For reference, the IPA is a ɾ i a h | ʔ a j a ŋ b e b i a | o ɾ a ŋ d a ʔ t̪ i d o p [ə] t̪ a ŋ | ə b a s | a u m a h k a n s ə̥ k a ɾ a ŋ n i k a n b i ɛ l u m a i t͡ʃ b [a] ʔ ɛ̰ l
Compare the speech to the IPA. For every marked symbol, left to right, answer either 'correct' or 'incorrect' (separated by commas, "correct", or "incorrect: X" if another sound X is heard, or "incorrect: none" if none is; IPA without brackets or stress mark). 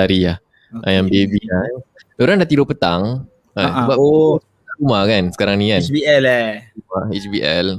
correct, incorrect: i